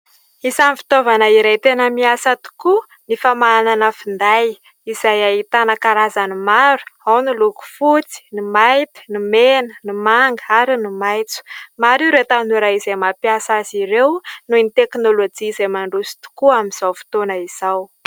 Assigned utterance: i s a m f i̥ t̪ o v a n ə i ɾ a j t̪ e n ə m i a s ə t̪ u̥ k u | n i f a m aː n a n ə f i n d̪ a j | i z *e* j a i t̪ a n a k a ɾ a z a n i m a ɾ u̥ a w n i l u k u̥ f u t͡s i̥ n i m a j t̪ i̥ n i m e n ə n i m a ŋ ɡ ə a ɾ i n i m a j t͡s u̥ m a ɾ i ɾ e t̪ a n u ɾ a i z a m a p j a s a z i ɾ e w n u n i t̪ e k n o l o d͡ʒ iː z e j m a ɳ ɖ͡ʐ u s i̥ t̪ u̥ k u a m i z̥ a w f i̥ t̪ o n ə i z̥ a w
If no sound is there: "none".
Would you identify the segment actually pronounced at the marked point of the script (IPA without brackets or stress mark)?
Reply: a